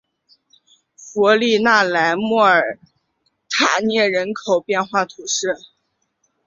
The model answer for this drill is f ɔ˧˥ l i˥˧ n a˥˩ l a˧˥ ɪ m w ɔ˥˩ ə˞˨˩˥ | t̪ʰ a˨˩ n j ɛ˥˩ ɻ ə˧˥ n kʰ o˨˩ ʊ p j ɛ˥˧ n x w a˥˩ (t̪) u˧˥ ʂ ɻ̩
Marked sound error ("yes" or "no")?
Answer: yes